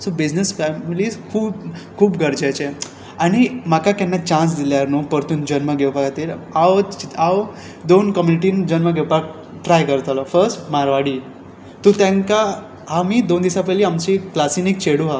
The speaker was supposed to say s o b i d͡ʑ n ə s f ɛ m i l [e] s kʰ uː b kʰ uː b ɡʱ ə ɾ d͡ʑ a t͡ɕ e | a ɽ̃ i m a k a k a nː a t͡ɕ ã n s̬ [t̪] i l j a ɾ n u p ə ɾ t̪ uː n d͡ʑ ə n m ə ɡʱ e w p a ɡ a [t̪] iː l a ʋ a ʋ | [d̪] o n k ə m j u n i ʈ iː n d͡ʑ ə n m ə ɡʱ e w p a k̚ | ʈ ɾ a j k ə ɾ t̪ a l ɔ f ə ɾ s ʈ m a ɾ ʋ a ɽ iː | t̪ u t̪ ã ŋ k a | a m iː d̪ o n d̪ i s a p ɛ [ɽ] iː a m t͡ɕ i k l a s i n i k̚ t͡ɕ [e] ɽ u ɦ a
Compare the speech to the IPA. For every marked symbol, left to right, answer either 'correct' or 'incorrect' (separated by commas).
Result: incorrect, incorrect, correct, correct, incorrect, correct